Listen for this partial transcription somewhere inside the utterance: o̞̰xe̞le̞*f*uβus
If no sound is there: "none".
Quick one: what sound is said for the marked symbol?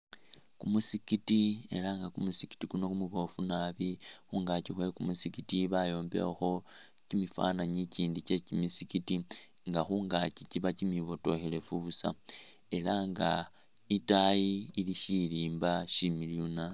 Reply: f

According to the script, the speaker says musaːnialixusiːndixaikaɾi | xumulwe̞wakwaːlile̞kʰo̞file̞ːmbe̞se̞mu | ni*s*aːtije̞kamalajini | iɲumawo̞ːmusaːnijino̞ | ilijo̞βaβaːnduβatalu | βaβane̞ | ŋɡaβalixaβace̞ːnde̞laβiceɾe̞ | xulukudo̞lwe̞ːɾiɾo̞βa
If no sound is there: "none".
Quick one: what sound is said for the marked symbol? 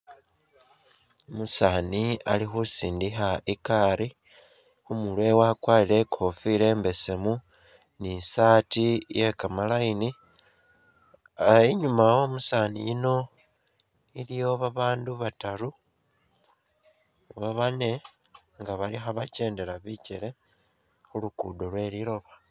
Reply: s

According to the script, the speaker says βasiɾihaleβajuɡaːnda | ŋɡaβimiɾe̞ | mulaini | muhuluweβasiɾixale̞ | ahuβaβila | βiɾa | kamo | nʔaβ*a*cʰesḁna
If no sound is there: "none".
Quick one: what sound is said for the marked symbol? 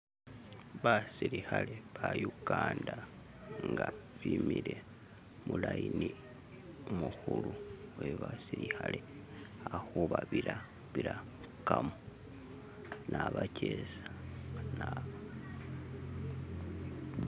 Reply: a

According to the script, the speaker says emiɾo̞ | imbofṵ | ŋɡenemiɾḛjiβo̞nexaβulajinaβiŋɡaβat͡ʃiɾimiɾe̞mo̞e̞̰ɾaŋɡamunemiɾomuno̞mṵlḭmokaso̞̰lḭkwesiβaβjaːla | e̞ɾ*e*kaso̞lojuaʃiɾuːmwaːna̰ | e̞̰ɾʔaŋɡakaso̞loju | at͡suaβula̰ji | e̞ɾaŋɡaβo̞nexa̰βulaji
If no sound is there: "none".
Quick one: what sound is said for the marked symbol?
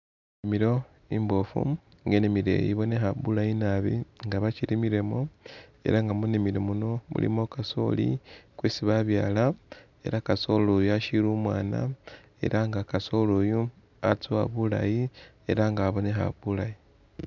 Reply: a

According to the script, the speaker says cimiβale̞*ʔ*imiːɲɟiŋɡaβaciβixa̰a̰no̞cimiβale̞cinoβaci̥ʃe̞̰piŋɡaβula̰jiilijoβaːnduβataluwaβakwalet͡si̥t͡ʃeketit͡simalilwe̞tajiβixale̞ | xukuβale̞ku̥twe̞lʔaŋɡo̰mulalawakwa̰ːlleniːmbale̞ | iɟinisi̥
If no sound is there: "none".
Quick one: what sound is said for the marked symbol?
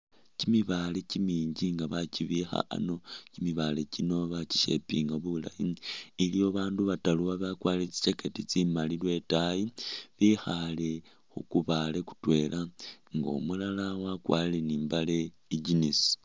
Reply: c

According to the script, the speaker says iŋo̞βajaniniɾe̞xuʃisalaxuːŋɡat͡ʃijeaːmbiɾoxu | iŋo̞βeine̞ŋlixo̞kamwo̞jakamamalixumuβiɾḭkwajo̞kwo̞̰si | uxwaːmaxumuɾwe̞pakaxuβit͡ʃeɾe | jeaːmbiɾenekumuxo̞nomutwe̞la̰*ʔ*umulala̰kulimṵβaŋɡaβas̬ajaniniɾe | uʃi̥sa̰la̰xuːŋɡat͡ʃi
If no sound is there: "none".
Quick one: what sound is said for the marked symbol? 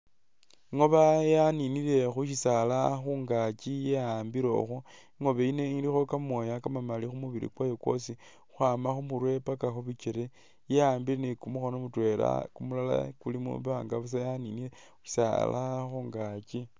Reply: k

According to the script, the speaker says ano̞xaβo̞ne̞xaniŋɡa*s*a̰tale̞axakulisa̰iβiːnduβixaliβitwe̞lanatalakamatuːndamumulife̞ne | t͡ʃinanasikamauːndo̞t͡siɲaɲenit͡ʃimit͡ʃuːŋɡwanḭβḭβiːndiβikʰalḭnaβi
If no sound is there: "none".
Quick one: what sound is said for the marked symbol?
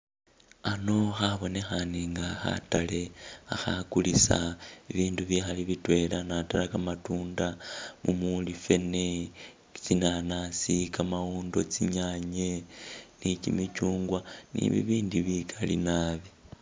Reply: x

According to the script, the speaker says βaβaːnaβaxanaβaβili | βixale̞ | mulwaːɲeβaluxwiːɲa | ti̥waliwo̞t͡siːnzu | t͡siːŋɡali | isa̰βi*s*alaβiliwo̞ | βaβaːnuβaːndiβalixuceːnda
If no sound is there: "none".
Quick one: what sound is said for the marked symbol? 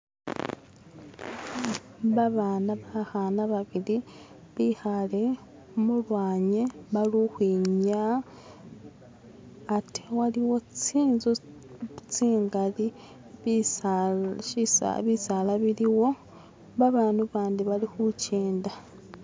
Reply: s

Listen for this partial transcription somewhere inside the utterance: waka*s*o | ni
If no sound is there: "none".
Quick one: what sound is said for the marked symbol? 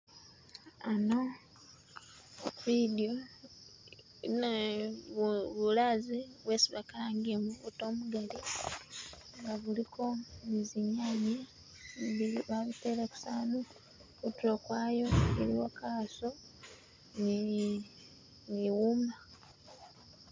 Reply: s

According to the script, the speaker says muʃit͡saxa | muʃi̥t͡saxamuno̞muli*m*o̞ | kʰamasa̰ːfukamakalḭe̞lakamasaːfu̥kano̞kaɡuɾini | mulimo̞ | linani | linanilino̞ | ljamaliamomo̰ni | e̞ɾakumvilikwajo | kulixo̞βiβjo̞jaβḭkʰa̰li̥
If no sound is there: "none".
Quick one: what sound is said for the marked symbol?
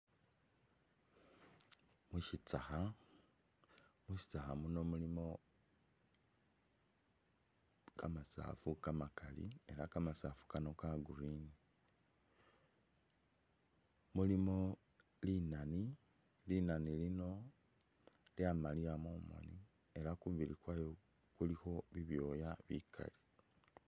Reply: m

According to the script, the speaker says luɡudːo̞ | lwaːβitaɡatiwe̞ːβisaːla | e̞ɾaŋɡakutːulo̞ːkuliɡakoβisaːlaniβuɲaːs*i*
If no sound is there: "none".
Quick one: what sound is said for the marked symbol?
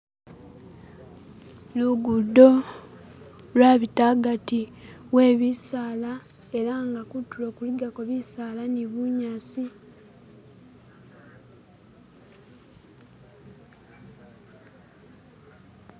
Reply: i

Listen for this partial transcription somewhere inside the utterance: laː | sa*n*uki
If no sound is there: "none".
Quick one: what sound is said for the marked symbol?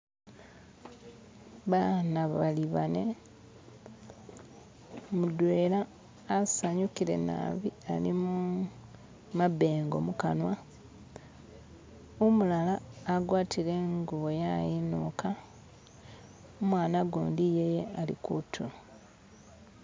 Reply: ɲ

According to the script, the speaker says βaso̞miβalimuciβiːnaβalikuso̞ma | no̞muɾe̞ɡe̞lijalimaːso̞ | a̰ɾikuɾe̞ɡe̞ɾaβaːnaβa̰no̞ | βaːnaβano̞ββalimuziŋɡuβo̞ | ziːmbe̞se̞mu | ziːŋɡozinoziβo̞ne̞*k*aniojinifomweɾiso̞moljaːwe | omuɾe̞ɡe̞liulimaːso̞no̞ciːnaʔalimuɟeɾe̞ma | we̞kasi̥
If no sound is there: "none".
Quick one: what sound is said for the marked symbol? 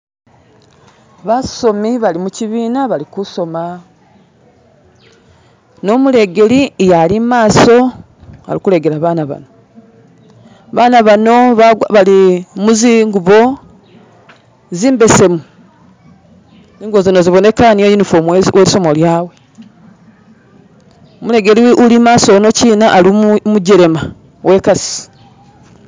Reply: k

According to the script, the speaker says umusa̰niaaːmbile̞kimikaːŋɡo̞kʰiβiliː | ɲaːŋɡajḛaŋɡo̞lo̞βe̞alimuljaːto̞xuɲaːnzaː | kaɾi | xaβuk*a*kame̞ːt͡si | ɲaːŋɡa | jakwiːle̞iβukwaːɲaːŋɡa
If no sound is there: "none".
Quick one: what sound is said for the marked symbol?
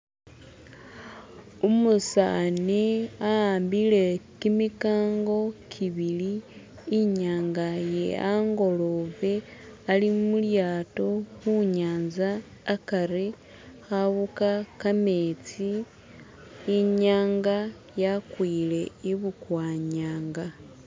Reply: a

